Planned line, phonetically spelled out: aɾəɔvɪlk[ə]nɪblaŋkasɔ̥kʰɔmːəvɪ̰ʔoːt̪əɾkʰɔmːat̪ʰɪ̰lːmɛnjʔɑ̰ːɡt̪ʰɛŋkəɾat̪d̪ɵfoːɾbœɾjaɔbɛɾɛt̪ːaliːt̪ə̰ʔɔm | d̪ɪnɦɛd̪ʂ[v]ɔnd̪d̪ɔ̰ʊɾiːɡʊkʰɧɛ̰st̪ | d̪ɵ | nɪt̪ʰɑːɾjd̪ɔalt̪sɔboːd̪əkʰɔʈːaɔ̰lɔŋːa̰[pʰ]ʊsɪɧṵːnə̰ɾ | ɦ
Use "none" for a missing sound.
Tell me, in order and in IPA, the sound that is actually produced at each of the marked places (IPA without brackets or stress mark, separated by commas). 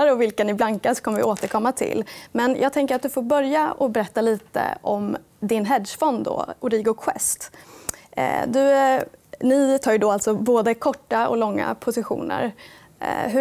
a, f, pʰ